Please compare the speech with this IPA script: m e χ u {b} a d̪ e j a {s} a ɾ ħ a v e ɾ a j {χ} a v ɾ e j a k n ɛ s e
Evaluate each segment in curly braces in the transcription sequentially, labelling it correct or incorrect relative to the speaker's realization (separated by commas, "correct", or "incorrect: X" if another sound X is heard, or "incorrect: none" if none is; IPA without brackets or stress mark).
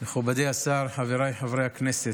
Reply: correct, correct, incorrect: ħ